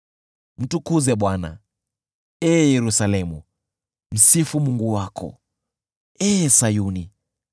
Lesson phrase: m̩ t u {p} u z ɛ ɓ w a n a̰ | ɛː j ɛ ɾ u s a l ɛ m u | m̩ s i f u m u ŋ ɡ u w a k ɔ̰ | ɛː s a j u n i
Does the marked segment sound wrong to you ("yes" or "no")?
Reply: yes